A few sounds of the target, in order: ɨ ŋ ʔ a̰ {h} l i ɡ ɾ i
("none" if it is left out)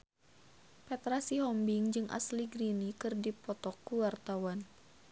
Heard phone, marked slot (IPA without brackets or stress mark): s